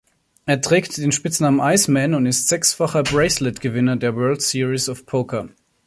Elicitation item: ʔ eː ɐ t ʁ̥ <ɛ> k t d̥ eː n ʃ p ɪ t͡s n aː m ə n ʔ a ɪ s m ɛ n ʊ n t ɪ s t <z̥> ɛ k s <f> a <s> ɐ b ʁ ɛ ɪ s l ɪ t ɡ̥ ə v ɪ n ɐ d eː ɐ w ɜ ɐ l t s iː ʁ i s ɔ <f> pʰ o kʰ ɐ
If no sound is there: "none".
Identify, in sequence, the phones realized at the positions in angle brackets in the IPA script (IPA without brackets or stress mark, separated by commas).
ɛː, z̥, f, χ, f